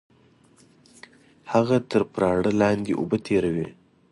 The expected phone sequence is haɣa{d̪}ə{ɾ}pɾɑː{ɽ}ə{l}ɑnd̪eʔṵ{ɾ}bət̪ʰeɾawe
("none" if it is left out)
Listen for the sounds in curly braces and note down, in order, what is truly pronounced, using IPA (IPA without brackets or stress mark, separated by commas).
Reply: t̪, ɾ, ɽ, l, none